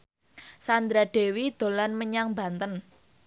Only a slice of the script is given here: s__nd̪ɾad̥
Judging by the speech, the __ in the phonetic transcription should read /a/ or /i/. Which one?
a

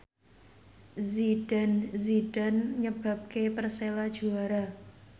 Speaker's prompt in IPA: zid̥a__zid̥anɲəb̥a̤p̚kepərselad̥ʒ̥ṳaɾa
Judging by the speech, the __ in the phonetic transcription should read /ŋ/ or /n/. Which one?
n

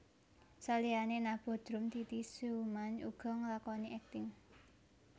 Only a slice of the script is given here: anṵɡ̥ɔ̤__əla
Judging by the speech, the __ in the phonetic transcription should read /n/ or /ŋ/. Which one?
ŋ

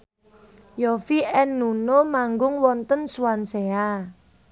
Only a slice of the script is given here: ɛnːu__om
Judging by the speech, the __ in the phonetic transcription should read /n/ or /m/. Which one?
n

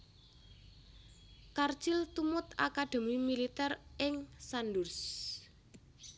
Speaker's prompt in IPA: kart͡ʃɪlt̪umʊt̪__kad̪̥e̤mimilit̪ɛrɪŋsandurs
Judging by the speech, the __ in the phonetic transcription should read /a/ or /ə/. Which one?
a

